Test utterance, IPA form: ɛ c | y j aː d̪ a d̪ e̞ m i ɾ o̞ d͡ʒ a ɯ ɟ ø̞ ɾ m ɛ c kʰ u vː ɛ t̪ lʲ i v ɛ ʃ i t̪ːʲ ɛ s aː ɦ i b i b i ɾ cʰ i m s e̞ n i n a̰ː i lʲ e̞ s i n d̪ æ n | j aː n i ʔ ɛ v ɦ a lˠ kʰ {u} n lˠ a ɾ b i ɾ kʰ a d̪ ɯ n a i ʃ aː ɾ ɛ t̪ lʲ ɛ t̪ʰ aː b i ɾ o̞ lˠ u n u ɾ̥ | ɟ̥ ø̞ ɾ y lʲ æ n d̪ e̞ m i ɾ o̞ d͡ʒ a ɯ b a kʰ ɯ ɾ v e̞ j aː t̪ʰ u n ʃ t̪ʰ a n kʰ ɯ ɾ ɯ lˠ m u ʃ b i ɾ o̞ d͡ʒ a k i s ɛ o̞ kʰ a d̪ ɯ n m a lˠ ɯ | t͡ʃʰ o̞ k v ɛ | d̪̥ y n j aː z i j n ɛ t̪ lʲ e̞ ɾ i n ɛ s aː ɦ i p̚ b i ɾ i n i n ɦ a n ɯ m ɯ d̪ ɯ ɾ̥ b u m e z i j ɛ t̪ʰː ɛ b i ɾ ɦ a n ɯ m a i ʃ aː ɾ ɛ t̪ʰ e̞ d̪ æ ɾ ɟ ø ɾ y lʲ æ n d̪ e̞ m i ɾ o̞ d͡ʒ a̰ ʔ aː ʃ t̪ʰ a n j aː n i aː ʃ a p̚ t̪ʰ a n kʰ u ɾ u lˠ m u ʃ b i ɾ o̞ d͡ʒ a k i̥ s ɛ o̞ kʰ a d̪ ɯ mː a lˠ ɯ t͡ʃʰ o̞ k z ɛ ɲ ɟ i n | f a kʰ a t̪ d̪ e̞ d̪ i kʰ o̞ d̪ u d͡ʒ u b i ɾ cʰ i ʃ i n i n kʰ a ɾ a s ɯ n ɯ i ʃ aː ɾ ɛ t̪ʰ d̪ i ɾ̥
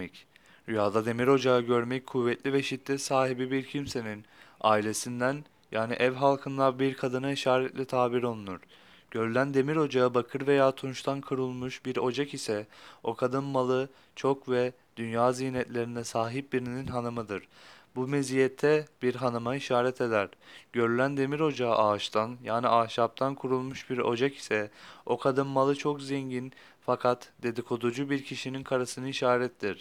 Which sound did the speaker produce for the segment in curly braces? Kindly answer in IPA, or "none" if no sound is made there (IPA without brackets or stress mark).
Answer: ɯ